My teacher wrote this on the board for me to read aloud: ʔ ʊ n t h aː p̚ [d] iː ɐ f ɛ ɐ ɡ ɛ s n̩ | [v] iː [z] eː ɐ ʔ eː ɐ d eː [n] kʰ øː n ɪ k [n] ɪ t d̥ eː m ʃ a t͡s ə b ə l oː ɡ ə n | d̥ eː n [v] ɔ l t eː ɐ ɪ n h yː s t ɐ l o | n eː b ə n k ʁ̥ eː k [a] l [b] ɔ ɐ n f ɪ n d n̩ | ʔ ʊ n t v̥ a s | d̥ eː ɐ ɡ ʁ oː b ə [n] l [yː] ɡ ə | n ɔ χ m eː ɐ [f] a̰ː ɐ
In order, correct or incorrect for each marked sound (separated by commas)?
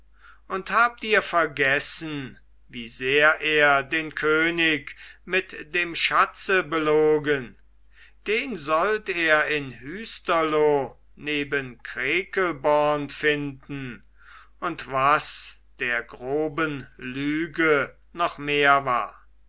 incorrect, correct, correct, correct, incorrect, incorrect, incorrect, correct, correct, correct, incorrect